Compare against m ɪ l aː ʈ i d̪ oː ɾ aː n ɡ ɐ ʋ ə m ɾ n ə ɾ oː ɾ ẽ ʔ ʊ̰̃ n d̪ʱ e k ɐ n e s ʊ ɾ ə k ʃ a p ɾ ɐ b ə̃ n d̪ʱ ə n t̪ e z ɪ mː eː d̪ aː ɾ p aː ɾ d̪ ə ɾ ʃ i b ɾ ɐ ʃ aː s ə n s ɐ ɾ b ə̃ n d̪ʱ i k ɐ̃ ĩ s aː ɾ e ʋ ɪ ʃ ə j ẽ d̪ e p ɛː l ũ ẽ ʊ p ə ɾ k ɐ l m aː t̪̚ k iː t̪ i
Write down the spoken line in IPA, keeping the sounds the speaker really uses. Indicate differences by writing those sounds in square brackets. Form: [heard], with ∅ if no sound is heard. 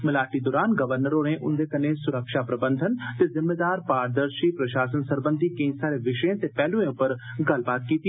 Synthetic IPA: m ɪ l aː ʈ i d̪ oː ɾ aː n ɡ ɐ ʋ ə [∅] ɾ n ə ɾ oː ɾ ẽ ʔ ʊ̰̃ n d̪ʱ e k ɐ n e s ʊ ɾ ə k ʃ a p ɾ ɐ b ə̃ n d̪ʱ ə n t̪ e z ɪ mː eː d̪ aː ɾ p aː ɾ d̪ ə ɾ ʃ i [p] ɾ ɐ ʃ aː s ə n s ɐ ɾ b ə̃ n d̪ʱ i k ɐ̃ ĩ s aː ɾ e ʋ ɪ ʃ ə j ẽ [t̪] e p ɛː l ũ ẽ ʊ p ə ɾ [ɡ] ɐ l [b] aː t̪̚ k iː t̪ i